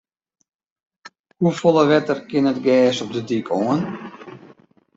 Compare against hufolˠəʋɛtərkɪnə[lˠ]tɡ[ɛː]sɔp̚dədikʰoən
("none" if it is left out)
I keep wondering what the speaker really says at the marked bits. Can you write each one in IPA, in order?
none, ɛː

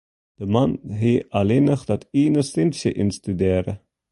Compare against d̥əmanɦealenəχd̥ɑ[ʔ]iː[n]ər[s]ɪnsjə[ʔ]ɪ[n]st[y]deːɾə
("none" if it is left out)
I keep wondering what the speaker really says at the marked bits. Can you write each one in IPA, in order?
t, n, s, ʔ, n, y

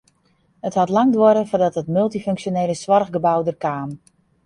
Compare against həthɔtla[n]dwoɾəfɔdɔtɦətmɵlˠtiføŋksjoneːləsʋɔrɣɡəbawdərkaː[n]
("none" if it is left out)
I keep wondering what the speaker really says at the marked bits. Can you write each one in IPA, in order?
ŋ, m

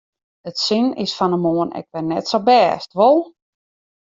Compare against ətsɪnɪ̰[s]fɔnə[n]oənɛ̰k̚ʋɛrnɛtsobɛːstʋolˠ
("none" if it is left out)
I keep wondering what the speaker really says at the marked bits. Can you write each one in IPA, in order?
s, m

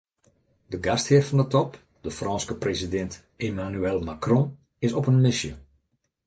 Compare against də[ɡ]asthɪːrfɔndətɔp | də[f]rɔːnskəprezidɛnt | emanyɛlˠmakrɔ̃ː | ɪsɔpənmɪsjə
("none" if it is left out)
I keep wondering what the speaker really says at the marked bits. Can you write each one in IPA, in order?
ɡ, f

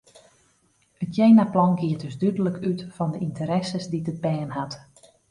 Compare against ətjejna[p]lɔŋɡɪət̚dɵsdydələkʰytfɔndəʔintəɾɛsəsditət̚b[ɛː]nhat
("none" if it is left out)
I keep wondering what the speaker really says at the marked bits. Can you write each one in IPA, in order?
p, ɛː

